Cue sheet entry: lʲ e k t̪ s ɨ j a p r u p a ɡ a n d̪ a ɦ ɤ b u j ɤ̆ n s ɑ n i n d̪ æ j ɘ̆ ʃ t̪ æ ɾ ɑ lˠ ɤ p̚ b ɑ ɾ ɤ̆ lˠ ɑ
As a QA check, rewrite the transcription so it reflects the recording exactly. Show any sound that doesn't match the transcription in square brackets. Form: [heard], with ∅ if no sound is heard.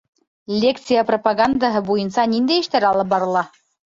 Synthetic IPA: lʲ e k t̪ s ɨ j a p r [o] p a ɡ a n d̪ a ɦ ɤ b u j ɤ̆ n s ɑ n i n d̪ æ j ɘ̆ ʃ t̪ æ ɾ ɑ lˠ ɤ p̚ b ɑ ɾ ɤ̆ lˠ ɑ